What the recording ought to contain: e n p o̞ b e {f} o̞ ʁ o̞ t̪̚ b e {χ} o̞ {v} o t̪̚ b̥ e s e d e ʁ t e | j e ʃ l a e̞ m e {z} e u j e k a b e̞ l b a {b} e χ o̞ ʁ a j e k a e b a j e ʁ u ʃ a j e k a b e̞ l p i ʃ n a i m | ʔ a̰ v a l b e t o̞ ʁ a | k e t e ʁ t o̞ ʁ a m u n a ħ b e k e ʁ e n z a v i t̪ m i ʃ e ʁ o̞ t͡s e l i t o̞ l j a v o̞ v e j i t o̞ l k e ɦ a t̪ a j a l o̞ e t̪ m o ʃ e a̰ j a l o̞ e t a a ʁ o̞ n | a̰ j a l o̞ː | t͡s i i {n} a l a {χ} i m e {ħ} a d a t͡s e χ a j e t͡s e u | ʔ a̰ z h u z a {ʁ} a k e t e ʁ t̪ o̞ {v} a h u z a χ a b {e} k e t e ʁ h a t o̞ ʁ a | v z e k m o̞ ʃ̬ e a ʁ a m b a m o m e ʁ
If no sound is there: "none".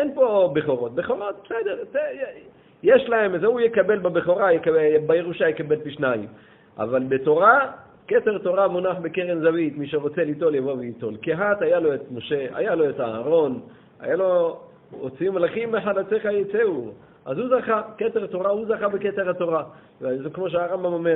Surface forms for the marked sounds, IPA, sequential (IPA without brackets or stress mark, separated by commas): χ, χ, ʁ, z, b, m, χ, ħ, χ, ʁ, e